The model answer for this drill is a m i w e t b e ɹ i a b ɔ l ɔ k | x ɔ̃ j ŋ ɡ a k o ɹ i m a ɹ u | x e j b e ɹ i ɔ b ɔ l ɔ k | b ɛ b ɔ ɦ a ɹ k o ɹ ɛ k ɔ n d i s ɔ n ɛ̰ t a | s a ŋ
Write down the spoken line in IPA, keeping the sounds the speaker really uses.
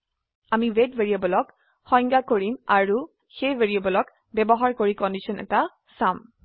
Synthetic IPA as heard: a m i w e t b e ɹ i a b ɔ l ɔ k | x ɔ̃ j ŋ ɡ a k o ɹ i m a ɹ u | x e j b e ɹ i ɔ b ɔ l ɔ k | b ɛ b ɔ ɦ a ɹ k o ɹ i k ɔ n d i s ɔ n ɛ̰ t a | s a m